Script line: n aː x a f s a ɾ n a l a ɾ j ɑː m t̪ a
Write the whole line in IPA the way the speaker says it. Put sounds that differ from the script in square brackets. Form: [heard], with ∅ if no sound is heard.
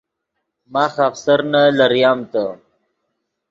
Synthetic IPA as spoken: [m] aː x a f s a ɾ n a l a ɾ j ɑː m t̪ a

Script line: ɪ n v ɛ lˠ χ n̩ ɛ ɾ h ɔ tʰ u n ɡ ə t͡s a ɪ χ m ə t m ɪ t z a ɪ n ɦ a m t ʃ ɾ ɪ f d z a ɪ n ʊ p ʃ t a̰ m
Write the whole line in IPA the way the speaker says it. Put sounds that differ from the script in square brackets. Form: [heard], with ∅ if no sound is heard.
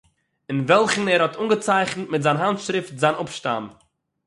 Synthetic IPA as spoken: ɪ n v ɛ lˠ χ n̩ ɛ ɾ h ɔ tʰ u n ɡ ə t͡s a ɪ χ [n] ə t m ɪ t z a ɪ n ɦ a [n] t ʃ ɾ ɪ f [t] z a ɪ n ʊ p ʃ t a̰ m

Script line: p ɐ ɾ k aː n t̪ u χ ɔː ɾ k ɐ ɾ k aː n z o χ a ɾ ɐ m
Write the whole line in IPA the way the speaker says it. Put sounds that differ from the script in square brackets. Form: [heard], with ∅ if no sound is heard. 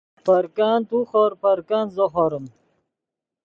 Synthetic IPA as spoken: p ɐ ɾ k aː n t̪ u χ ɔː ɾ [p] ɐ ɾ k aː n z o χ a ɾ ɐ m

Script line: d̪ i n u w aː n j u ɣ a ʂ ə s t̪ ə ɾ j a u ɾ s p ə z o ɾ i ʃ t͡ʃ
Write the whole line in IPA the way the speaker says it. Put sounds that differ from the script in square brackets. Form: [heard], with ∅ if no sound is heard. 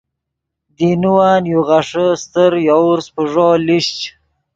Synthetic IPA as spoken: d̪ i n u w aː n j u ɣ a ʂ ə s t̪ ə ɾ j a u ɾ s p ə [ʐ] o [l] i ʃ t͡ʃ

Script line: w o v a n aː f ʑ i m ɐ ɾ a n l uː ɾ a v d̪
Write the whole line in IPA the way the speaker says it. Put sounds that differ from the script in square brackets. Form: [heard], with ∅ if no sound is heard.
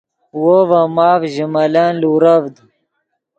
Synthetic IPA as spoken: w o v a [m] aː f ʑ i m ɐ [l] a n l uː ɾ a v d̪

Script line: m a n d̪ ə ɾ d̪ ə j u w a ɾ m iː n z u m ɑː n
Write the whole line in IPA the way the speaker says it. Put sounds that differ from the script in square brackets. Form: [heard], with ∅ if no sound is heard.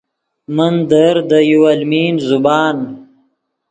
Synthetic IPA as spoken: m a n d̪ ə ɾ d̪ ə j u w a [l] m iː n z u [b] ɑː n

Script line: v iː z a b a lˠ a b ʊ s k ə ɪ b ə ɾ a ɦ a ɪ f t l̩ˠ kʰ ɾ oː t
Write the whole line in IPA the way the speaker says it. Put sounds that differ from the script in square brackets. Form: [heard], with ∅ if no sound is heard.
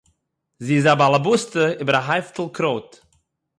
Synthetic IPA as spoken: [z] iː z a b a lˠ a b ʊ s [t] ə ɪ b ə ɾ a ɦ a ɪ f t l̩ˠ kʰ ɾ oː t

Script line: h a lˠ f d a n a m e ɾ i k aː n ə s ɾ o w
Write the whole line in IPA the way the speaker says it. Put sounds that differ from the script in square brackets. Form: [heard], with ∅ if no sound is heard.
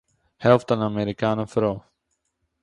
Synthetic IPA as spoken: h [ɛ] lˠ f [t] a n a m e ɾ i k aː n ə [f] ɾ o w

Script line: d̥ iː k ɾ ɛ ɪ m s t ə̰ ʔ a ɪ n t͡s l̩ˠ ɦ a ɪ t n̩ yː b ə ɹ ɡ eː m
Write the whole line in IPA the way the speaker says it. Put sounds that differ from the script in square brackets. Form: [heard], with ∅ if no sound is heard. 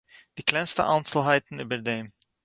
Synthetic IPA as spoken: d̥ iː k [l] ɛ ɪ [n] s t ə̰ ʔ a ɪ n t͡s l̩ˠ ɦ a ɪ t n̩ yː b ə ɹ [d] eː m

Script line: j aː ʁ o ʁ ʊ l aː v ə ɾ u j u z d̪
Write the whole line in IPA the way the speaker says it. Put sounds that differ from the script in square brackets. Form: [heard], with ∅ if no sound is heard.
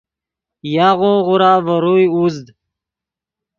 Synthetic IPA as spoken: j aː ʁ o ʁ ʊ [ɾ] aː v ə ɾ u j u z d̪

